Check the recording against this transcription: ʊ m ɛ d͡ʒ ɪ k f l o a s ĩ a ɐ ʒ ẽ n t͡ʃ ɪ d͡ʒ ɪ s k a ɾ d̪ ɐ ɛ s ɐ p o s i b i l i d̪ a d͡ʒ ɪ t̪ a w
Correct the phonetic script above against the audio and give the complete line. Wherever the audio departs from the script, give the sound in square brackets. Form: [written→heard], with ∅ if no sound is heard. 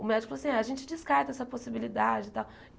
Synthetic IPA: ʊ m ɛ d͡ʒ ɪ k f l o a s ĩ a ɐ ʒ ẽ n t͡ʃ ɪ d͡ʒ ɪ s k a ɾ [d̪→t̪] ɐ ɛ s ɐ p o s i b i l i d̪ a d͡ʒ ɪ t̪ a w